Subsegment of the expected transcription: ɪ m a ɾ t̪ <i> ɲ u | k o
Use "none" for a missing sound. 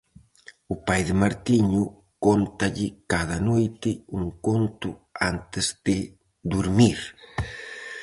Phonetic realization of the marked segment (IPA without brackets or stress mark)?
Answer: i